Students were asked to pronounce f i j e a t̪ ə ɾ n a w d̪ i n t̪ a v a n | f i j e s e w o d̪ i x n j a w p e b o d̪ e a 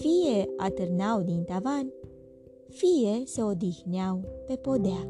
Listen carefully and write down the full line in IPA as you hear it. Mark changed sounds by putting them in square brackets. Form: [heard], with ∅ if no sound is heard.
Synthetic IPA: f i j e a t̪ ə ɾ n a w d̪ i n t̪ a v a n | f i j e s e [∅] o d̪ i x n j a w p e [p] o d̪ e a